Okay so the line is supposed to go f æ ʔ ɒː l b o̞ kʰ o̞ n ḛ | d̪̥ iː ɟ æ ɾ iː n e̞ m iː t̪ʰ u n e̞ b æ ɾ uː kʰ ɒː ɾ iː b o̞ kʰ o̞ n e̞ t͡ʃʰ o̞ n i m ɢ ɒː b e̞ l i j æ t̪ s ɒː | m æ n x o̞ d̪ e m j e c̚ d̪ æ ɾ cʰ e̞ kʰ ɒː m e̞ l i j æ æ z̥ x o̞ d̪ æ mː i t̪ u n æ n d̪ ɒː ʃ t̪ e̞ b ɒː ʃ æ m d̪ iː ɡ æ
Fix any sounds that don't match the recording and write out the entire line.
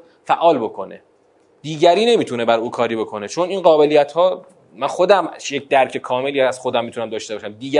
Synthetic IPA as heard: f æ ʔ ɒː l b o̞ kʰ o̞ n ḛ | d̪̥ iː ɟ æ ɾ iː n e̞ m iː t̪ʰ u n e̞ b æ ɾ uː kʰ ɒː ɾ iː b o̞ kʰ o̞ n e̞ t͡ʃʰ o̞ n i n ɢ ɒː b e̞ l i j æ t̪ h ɒː | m æ n x o̞ d̪ æ m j e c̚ d̪ æ ɾ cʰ e̞ kʰ ɒː m e̞ l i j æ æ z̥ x o̞ d̪ æ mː i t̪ u n æ m d̪ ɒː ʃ t̪ e̞ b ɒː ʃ æ m d̪ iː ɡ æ